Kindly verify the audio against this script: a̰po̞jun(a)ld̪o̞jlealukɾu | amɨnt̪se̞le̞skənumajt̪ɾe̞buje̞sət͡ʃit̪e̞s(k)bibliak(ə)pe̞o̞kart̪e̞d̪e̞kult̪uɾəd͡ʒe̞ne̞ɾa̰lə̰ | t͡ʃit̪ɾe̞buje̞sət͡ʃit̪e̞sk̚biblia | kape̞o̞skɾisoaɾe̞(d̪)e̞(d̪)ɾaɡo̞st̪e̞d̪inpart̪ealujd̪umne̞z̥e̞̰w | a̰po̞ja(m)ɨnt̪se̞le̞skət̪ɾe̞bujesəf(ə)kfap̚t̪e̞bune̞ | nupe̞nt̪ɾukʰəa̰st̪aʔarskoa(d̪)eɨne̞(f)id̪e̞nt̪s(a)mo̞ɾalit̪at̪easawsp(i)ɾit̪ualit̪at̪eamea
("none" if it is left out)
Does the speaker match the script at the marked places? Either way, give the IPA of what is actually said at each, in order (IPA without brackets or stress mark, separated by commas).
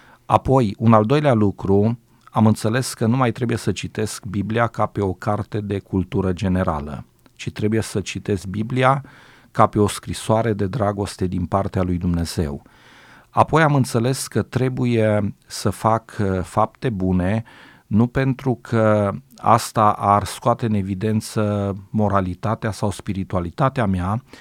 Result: a, k, a, d̪, d̪, m, a, t̪, v, ə, i